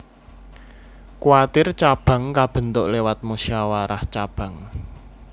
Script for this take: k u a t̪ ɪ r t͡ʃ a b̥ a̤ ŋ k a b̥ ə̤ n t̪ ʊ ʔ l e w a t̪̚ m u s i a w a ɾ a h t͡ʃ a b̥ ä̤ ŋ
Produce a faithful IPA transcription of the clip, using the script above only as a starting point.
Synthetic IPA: k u a t̪ ɪ r t͡ʃ a b̥ a̤ ŋ k a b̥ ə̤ n t̪ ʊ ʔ l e w a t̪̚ m u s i a w a ɾ a h t͡ʃ a b̥ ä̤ ŋ